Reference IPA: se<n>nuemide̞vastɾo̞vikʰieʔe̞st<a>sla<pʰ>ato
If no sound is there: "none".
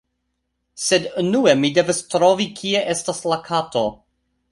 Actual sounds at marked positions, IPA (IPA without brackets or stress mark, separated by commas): d, a, kʰ